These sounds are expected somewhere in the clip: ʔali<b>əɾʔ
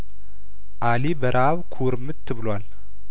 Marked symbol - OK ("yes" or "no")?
yes